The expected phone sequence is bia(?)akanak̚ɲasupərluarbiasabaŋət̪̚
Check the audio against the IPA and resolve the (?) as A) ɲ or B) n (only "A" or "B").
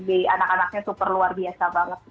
B